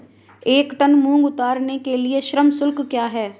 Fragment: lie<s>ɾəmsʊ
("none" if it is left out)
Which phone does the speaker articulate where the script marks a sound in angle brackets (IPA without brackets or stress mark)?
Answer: ʃ